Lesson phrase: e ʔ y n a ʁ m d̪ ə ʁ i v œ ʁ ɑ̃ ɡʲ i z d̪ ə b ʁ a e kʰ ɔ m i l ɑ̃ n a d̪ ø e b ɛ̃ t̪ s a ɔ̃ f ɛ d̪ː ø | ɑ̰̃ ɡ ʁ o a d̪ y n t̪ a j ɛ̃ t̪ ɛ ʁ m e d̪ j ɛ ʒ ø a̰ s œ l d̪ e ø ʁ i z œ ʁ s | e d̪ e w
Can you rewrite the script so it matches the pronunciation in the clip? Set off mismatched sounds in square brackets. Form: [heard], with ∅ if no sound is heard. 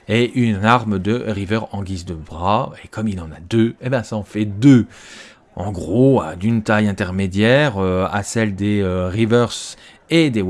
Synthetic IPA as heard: e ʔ y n a ʁ m d̪ ə ʁ i v œ ʁ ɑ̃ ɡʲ i z d̪ ə b ʁ a e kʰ ɔ m i l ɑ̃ n a d̪ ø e b ɛ̃ [∅] s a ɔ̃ f ɛ [d̪] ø | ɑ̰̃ ɡ ʁ o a d̪ y n t̪ a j ɛ̃ t̪ ɛ ʁ m e d̪ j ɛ [ʁ] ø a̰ s [ɛ] l d̪ e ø ʁ i [v] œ ʁ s | e d̪ e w

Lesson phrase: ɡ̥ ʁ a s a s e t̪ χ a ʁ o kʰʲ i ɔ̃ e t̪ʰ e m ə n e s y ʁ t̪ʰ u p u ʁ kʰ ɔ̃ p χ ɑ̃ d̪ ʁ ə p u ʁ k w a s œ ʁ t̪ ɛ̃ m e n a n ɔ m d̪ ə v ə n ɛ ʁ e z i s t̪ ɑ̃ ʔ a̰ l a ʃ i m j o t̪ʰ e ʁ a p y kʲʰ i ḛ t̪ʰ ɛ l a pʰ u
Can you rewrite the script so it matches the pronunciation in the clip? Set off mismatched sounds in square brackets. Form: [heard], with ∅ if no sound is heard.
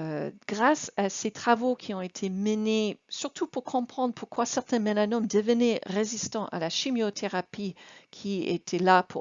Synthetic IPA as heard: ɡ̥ ʁ a s a s e t̪ χ a [v] o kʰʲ i ɔ̃ e t̪ʰ e m ə n e s y ʁ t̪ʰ u p u ʁ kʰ ɔ̃ p χ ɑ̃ d̪ ʁ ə p u ʁ k w a s [ɛ] ʁ t̪ ɛ̃ m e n a n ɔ m d̪ ə v ə n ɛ ʁ e z i s t̪ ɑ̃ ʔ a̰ l a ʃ i m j o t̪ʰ e ʁ a p [i] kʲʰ i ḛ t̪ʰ ɛ l a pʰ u

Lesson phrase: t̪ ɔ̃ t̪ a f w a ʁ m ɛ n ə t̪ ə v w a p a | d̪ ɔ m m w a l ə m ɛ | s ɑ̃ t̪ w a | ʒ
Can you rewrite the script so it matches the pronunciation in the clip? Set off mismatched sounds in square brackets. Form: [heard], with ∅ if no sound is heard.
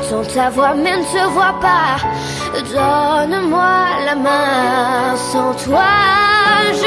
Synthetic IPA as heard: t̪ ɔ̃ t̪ a [v] w a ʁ m ɛ n ə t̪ ə v w a p a | d̪ ɔ [n] m w a l [a] m [ɛ̃] | s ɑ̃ t̪ w a | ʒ

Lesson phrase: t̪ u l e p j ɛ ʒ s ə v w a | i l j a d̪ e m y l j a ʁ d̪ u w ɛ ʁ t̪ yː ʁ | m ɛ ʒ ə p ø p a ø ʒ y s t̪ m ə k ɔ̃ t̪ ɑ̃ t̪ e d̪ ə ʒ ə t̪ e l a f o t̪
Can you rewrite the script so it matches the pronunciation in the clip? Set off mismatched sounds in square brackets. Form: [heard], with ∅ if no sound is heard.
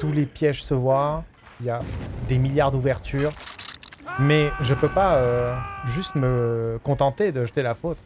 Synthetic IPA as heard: t̪ u l e p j ɛ ʒ s ə v w a | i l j a d̪ e m [i] l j a ʁ d̪ u [v] ɛ ʁ t̪ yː ʁ | m ɛ ʒ ə p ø p a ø ʒ y s t̪ m ə k ɔ̃ t̪ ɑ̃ t̪ e d̪ ə ʒ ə t̪ e l a f o t̪

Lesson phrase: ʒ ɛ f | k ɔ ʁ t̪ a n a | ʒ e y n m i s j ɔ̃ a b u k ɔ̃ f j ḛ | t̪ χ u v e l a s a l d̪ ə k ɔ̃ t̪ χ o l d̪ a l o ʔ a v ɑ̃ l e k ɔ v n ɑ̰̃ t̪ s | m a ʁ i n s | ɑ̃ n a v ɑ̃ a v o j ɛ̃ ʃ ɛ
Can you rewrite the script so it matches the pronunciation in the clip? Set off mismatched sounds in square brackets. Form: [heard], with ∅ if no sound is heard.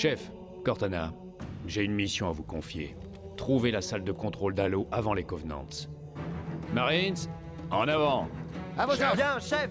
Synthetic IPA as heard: [ʃ] ɛ f | k ɔ ʁ t̪ a n a | ʒ e y n m i s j ɔ̃ a [v] u k ɔ̃ f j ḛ | t̪ χ u v e l a s a l d̪ ə k ɔ̃ t̪ χ o l d̪ a l o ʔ a v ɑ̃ l e k ɔ v n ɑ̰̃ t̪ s | m a ʁ i n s | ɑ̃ n a v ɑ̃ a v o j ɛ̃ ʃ ɛ

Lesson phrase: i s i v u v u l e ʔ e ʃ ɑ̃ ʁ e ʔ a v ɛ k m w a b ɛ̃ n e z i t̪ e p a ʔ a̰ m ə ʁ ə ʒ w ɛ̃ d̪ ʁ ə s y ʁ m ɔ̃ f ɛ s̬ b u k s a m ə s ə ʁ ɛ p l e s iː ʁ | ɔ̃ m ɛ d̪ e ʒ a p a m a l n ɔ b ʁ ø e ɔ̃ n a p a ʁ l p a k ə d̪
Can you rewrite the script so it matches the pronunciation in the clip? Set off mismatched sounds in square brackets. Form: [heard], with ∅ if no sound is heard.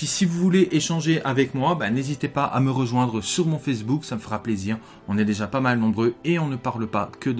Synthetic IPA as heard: i s i v u v u l e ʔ e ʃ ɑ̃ [ʒ] e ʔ a v ɛ k m w a b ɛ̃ n e z i t̪ e p a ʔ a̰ m ə ʁ ə ʒ w ɛ̃ d̪ ʁ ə s y ʁ m ɔ̃ f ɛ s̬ b u k s a m ə [f] ə ʁ [a] p l e [z] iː ʁ | ɔ̃ [n] ɛ d̪ e ʒ a p a m a l n [ɔ̃] b ʁ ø e ɔ̃ n [ə] p a ʁ l p a k ə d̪

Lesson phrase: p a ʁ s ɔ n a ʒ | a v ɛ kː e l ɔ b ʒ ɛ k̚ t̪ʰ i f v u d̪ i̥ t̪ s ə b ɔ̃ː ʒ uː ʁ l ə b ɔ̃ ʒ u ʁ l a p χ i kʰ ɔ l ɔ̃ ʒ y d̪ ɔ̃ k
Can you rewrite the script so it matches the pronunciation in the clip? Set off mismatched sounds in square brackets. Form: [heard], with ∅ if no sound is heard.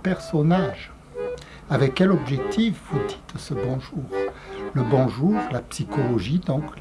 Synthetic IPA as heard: p [ɛ] ʁ s ɔ n a ʒ | a v ɛ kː [ɛ] l ɔ b ʒ ɛ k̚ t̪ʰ i f v u d̪ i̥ t̪ s ə b [ɔ̃] ʒ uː ʁ l ə b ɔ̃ ʒ u ʁ l a p [s] i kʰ ɔ l [ɔ] ʒ [i] d̪ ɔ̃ k

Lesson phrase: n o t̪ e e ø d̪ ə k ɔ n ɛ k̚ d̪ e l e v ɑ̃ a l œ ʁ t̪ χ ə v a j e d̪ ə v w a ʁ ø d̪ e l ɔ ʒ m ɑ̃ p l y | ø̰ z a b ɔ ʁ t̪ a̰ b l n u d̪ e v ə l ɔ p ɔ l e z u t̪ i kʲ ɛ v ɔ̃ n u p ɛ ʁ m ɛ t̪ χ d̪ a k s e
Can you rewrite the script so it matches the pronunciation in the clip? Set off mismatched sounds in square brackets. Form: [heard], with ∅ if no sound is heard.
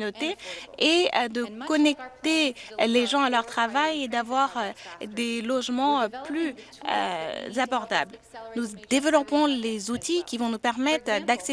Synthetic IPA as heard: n o t̪ e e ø d̪ ə k ɔ n ɛ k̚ [t̪] e l e [ʒ] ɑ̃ a l œ ʁ t̪ χ [a] v a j e d̪ [a] v w a ʁ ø d̪ e l ɔ ʒ m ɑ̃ p l y | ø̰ z a b ɔ ʁ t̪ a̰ b l n u d̪ e v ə l ɔ p [ɔ̃] l e z u t̪ i kʲ [i] v ɔ̃ n u p ɛ ʁ m ɛ t̪ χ d̪ a k s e

